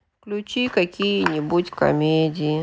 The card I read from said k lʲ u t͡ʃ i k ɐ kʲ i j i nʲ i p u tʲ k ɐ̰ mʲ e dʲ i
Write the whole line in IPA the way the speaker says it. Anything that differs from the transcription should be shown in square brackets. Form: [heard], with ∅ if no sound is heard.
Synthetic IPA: k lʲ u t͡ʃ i k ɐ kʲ i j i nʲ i [b] u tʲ k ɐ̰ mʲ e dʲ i